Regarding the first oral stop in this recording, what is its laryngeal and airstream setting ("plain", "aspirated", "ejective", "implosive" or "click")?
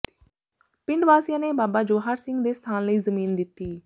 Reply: plain